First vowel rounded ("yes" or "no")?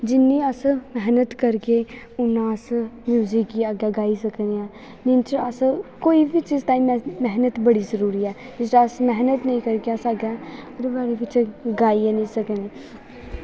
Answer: no